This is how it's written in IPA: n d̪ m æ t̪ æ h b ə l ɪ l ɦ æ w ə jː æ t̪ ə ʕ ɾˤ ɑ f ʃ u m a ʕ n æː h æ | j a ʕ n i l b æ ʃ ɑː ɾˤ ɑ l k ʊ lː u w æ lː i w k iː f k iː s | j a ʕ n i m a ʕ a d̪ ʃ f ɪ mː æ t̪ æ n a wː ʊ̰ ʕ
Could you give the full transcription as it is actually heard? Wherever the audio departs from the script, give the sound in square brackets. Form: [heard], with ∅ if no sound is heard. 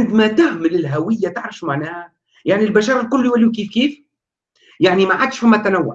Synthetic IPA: n d̪ m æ t̪ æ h [m] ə l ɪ l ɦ æ w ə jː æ t̪ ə ʕ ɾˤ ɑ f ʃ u m a ʕ n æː h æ | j a ʕ n i l b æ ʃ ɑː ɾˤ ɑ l k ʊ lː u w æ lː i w k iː f k iː [f] | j a ʕ n i m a ʕ a d̪ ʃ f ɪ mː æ t̪ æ n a wː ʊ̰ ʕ